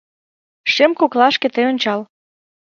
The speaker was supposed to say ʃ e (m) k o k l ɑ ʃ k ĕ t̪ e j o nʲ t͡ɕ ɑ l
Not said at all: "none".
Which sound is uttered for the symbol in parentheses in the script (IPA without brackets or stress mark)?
m